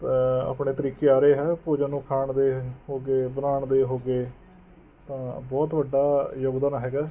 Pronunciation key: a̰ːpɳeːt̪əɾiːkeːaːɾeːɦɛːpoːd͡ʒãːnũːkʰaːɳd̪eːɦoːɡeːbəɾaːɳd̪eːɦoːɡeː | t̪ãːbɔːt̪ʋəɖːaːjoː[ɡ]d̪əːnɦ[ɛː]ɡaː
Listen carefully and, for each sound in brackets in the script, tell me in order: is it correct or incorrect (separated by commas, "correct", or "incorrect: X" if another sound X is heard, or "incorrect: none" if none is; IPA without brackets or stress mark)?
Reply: correct, correct